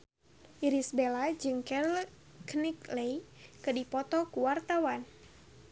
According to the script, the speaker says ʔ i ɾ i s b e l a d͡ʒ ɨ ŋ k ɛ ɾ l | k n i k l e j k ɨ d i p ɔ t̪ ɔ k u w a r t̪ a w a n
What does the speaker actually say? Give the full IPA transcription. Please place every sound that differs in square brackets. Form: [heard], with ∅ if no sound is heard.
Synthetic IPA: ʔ i ɾ i s b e l a d͡ʒ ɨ ŋ k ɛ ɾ l | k n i k l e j k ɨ d i p ɔ t̪ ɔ k u w a r t̪ a w a n

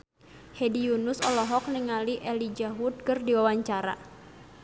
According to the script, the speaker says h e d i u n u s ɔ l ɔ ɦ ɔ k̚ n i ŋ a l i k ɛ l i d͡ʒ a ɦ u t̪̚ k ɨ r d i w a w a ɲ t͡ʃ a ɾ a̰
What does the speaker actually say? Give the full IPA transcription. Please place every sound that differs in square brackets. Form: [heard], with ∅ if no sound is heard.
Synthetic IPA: h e d i u n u s ɔ l ɔ ɦ ɔ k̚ n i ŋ a l i [ʔ] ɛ l i d͡ʒ a ɦ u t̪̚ k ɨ r d i w a w a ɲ t͡ʃ a ɾ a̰

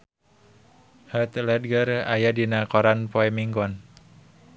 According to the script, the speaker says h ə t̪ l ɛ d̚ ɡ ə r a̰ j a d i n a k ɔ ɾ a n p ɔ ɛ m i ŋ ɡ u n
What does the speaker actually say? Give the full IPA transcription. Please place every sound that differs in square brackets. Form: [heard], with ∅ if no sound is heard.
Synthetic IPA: h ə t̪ l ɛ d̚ ɡ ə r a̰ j a d i n a k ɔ ɾ a n p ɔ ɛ m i ŋ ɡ [ɔ] n

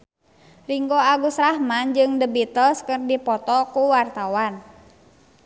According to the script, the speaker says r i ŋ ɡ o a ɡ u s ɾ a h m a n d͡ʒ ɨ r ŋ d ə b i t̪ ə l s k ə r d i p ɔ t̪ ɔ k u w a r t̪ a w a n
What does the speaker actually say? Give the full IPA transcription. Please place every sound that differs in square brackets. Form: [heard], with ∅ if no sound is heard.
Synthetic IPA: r i ŋ ɡ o a ɡ u s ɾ a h m a n d͡ʒ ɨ [∅] ŋ d ə b i t̪ ə l s k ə r d i p ɔ t̪ ɔ k u w a r t̪ a w a n

